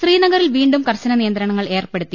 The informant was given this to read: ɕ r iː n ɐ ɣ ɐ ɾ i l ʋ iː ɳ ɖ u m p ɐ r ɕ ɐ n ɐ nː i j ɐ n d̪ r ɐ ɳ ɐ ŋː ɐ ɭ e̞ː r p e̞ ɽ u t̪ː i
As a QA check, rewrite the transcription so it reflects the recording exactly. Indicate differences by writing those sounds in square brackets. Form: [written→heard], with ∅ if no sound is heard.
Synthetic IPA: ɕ r iː n ɐ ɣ ɐ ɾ i l ʋ iː ɳ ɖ u m [p→k] ɐ r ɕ ɐ n ɐ [nː→n] i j ɐ n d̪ [r→ɾ] ɐ ɳ ɐ ŋː ɐ ɭ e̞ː r p e̞ ɽ u t̪ː i